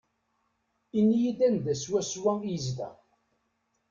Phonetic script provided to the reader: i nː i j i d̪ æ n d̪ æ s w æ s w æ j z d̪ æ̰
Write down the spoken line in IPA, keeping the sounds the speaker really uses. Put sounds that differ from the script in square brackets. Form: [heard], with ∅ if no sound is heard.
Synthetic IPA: i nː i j i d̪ æ n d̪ æ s w æ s w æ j z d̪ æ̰